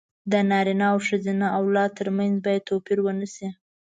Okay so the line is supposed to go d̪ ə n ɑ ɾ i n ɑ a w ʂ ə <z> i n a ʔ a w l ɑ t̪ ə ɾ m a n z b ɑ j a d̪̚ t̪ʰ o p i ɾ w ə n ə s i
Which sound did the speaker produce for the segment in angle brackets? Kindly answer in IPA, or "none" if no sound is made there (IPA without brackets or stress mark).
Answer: z